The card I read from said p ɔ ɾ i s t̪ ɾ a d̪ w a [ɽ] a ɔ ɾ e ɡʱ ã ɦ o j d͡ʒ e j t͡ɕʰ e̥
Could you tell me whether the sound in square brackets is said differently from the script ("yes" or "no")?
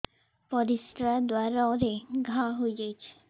yes